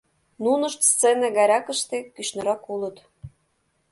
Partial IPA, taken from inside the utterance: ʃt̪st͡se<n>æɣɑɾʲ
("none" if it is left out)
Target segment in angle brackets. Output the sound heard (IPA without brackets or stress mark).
n